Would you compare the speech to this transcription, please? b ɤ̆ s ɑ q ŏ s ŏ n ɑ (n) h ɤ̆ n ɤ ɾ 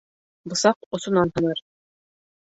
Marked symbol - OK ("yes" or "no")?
yes